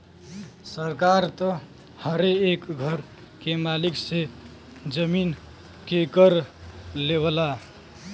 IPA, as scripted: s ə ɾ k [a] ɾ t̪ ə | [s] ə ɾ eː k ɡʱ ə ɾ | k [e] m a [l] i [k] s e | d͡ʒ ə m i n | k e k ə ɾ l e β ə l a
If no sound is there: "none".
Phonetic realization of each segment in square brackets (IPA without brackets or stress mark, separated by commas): a, h, e, l, k